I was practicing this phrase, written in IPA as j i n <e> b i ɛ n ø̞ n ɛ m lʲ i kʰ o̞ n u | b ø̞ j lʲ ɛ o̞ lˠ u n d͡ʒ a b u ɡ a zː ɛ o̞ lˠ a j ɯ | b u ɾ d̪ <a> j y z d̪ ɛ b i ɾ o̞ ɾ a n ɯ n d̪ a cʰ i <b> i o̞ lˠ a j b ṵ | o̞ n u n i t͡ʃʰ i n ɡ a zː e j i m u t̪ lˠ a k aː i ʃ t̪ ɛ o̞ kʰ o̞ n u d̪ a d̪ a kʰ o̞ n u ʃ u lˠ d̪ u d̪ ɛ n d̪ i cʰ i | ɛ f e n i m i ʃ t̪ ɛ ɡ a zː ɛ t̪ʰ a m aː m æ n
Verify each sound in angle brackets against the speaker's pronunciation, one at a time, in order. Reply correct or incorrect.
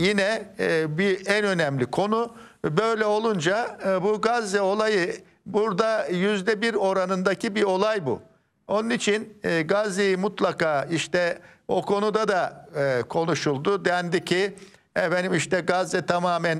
incorrect, correct, correct

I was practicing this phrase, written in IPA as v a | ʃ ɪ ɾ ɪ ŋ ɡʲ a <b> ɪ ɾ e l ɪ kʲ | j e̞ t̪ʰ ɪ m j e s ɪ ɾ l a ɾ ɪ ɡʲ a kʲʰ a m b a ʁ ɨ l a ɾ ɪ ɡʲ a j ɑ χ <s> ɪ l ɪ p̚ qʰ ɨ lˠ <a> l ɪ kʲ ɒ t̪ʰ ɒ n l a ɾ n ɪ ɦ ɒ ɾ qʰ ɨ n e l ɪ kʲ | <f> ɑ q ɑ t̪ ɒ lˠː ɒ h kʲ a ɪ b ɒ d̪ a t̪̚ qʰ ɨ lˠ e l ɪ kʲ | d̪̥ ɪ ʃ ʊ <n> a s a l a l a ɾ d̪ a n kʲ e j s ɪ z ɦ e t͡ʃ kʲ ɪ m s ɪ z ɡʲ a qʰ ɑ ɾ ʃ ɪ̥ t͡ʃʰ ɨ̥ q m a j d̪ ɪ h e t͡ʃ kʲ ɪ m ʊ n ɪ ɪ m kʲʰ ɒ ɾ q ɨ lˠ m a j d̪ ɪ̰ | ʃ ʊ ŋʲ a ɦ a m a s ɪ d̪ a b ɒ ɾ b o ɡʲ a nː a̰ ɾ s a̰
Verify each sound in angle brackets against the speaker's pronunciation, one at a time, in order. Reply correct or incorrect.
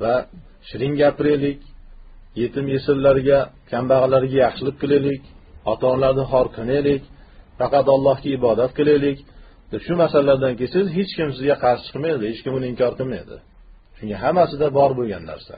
incorrect, incorrect, incorrect, correct, incorrect

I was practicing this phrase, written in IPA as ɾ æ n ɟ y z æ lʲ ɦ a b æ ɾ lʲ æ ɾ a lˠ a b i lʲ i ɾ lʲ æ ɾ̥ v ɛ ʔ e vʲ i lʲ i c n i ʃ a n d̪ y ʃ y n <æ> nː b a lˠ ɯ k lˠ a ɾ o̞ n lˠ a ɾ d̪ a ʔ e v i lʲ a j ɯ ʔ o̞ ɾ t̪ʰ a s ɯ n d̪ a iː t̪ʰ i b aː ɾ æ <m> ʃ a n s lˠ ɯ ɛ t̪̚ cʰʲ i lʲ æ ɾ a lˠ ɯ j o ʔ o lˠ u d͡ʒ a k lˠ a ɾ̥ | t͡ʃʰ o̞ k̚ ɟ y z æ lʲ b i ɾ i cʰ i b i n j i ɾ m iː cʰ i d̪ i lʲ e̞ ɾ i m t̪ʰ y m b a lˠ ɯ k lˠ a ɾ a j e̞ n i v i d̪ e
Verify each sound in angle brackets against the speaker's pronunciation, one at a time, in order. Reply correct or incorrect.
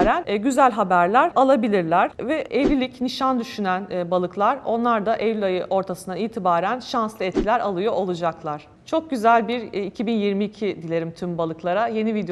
correct, incorrect

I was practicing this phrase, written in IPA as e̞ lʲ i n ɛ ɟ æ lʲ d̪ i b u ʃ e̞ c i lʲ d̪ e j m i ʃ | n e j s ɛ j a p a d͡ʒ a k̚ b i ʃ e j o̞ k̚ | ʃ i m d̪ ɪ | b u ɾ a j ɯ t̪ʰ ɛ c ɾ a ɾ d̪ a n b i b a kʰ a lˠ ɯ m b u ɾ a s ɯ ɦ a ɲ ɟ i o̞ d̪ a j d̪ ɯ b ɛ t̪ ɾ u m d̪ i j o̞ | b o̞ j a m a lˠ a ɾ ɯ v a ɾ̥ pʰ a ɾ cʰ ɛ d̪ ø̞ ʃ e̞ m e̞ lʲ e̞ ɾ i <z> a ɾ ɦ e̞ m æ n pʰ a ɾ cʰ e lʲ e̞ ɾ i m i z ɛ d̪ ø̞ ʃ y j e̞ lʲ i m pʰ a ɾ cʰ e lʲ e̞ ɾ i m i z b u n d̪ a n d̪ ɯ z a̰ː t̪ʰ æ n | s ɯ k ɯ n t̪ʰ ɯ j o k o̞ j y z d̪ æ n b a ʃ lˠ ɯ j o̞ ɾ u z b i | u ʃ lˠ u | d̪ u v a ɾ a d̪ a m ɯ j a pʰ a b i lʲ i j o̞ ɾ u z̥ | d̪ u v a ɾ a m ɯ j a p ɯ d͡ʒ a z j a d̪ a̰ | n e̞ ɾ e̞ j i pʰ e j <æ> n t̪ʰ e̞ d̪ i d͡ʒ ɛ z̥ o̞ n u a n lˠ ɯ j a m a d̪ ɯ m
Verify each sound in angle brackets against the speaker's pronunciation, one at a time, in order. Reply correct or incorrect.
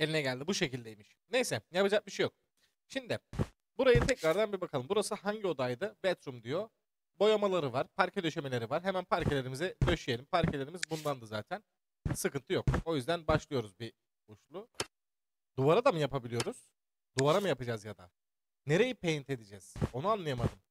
incorrect, incorrect

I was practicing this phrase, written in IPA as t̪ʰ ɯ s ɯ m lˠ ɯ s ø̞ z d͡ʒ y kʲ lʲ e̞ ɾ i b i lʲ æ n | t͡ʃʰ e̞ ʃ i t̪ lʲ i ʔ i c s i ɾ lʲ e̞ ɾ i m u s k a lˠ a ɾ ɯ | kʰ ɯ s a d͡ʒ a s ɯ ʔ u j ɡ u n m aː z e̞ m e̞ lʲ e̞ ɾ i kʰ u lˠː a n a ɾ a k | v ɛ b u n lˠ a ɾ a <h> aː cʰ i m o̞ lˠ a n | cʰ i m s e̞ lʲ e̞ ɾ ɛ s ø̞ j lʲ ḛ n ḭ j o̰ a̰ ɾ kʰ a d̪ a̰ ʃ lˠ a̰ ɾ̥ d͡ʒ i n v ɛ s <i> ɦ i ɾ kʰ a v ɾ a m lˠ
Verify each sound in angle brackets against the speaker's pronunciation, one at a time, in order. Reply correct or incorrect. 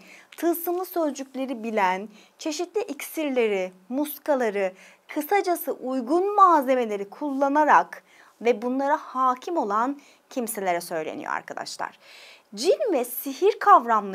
correct, correct

